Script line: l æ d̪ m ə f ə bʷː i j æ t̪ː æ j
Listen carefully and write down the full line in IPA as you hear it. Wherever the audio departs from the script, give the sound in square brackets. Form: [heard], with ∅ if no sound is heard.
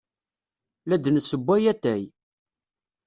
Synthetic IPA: l æ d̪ [n] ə [s] ə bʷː [æ] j æ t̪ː æ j